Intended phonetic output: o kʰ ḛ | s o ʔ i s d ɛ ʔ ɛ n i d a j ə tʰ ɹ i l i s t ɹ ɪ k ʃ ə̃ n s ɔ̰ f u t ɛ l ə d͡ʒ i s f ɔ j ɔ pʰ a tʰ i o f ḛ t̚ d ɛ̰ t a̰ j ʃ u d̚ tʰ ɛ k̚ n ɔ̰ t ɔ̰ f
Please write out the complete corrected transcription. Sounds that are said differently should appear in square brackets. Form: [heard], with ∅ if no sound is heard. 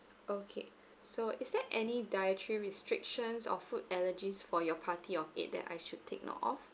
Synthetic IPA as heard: o kʰ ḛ | s o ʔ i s d ɛ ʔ ɛ n i d a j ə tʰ ɹ i [ɹ] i s t ɹ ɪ k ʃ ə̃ n s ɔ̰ f u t ɛ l ə d͡ʒ i s f ɔ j ɔ pʰ a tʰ i [ɔ] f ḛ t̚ d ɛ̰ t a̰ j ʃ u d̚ tʰ [e] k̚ n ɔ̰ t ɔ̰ f